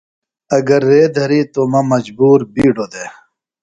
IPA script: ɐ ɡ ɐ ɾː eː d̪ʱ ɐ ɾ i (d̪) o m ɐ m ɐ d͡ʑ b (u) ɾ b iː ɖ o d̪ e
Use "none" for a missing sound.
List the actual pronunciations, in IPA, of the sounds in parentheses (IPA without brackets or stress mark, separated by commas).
t̪, uː